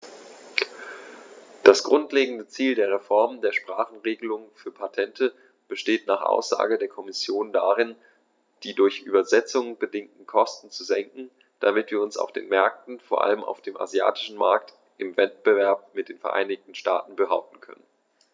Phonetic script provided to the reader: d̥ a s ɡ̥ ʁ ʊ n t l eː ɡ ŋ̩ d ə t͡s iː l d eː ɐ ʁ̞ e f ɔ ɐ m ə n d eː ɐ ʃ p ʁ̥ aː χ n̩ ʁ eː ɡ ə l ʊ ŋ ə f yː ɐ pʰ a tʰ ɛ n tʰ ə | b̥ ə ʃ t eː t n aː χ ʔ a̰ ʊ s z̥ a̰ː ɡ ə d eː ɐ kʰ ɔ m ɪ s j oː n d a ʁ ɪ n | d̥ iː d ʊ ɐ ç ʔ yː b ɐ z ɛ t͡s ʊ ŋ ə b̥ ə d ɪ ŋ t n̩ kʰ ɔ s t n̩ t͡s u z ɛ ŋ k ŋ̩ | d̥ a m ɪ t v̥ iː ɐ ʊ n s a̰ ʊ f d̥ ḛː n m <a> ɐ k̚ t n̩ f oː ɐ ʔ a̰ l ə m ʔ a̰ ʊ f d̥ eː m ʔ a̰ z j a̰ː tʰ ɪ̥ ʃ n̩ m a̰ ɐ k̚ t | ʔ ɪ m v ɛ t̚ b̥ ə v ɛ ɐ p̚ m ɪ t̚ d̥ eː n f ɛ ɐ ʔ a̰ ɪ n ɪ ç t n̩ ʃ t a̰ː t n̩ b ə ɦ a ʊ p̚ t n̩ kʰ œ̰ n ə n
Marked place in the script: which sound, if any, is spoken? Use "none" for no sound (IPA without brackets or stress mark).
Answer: ɛ